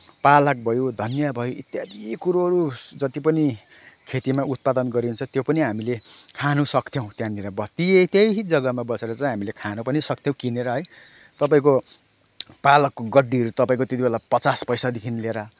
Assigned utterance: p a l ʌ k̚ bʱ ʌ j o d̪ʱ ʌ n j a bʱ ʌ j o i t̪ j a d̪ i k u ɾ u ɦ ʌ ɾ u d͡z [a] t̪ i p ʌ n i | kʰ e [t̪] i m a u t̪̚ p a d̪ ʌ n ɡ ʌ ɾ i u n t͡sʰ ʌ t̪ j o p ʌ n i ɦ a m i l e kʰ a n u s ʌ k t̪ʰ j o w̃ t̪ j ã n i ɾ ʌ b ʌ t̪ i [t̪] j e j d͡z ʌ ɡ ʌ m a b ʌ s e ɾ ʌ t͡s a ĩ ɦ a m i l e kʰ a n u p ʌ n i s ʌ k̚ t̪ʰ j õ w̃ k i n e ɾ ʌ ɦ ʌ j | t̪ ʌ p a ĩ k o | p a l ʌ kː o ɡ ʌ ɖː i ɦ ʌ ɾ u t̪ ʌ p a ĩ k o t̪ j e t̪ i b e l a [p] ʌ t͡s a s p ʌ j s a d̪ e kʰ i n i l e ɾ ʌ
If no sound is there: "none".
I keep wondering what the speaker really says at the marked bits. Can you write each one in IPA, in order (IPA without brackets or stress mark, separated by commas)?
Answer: ʌ, t̪, t̪, p